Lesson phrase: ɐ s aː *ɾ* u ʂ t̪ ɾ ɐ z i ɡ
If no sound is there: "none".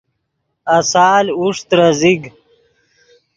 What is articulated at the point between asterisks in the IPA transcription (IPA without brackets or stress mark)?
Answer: l